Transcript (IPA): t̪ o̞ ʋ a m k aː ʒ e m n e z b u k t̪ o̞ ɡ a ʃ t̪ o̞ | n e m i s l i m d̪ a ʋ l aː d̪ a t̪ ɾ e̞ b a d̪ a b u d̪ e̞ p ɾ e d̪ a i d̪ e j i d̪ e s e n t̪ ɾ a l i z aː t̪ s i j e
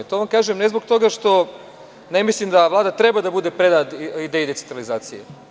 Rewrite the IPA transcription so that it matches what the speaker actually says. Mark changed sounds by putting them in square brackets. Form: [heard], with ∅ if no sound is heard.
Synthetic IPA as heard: t̪ o̞ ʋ a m k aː ʒ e m n e z b [o] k t̪ o̞ ɡ a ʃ t̪ o̞ | n e m i s l i m d̪ a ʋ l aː d̪ a t̪ ɾ e̞ b a d̪ a b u d̪ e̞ p ɾ e d̪ a i d̪ e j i d̪ e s e n t̪ ɾ a l i z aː t̪ s i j e